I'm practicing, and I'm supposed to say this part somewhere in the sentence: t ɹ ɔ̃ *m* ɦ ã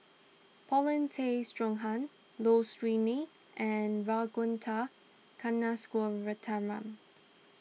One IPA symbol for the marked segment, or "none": ŋ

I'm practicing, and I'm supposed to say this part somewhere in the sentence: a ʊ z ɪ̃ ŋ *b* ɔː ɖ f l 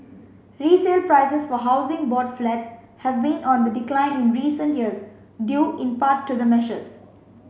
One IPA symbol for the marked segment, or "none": b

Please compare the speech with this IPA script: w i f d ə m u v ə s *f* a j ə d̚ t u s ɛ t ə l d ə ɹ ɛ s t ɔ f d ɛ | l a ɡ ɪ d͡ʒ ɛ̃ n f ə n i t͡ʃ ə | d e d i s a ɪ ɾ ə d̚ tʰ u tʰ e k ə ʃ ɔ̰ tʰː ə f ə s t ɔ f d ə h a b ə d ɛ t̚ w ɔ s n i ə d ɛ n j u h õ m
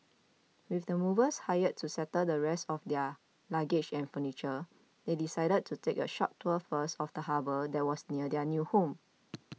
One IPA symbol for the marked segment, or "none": h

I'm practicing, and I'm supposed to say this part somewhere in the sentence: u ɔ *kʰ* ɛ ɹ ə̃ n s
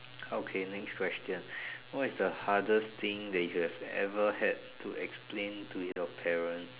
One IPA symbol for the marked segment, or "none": pʰ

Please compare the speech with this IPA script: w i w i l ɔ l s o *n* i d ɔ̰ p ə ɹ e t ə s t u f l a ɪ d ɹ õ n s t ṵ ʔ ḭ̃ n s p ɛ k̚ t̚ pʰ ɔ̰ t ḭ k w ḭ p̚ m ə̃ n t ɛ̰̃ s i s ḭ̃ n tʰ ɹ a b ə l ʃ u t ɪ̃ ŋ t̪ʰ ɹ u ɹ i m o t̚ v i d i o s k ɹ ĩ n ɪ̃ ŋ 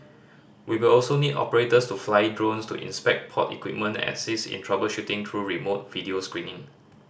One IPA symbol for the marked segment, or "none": n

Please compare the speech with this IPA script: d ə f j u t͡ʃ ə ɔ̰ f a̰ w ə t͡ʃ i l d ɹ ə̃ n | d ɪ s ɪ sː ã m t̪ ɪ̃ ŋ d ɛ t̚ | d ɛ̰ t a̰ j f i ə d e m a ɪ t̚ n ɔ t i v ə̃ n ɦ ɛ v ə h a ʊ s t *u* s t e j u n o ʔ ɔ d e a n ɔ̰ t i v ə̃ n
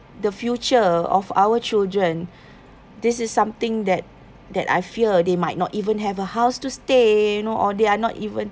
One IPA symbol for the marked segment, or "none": u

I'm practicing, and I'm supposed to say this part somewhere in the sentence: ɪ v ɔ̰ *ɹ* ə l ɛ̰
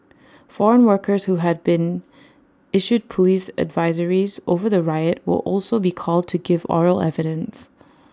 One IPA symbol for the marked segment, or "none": ɹ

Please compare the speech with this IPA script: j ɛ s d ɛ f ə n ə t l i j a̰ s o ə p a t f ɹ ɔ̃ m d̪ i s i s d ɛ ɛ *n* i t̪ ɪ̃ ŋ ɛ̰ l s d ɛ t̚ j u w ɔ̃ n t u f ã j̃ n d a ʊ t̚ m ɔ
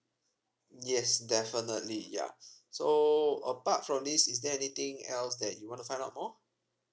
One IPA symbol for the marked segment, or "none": n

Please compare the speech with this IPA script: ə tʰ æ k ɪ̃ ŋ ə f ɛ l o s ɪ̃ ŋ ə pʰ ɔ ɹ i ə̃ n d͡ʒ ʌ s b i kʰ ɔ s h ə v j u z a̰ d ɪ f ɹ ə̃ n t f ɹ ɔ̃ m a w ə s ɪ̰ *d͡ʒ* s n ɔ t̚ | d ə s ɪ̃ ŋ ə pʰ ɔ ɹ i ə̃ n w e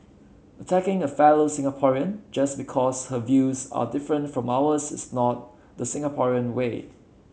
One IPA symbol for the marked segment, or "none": none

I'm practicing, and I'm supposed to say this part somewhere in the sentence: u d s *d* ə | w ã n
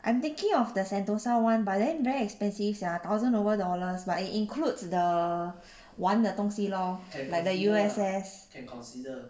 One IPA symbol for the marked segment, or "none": d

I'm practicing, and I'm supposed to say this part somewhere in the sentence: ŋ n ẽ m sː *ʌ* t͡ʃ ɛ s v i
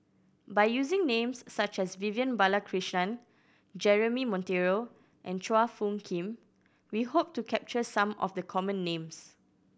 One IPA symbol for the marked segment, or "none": a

